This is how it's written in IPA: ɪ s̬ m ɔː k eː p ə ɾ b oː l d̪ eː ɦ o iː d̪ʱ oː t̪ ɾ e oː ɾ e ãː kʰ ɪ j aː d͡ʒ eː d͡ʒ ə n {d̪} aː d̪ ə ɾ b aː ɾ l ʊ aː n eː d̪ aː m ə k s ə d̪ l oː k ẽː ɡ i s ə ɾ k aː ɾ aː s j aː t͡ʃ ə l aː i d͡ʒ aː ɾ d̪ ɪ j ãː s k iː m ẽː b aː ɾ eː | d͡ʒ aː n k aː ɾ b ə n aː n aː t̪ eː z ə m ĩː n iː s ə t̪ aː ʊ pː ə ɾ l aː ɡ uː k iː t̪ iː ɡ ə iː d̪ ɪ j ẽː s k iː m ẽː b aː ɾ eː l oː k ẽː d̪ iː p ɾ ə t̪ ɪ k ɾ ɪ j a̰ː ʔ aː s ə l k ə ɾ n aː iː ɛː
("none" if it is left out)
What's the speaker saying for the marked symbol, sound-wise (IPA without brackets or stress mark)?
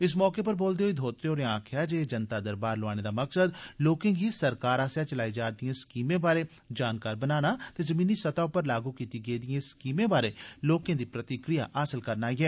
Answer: t̪